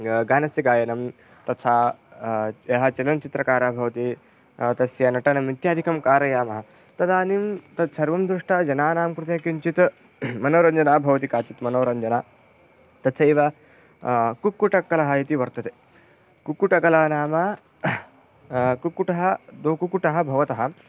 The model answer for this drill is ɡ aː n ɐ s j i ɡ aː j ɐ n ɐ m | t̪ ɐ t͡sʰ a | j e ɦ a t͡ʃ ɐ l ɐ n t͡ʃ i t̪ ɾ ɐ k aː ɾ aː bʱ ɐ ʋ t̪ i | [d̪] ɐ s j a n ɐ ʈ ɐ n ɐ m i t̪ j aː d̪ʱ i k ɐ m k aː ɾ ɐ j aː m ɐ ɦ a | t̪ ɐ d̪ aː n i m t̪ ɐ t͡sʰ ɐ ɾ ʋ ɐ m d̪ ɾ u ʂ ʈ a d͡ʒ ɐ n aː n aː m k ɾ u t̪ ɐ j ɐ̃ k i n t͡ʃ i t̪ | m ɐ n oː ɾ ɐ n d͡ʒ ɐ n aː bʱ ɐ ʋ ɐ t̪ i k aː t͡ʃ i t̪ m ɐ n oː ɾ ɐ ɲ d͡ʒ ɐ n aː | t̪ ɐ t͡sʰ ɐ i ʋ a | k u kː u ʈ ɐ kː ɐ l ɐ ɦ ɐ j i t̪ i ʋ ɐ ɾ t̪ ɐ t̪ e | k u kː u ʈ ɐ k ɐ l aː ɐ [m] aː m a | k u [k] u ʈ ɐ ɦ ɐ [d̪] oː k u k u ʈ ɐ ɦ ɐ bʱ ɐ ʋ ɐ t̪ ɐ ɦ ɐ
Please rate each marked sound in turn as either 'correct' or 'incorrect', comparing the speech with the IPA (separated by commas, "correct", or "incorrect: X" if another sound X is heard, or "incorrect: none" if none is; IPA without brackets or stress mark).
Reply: incorrect: t̪, incorrect: n, correct, correct